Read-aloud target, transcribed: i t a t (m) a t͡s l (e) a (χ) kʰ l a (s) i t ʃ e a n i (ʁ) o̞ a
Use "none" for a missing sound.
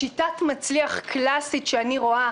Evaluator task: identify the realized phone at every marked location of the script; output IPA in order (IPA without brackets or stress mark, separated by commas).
m, i, χ, s, ʁ